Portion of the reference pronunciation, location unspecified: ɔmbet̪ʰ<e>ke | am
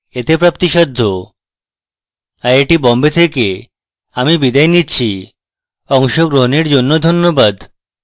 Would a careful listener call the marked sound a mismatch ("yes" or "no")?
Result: no